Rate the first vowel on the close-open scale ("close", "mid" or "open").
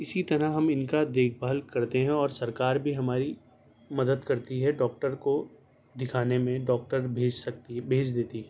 close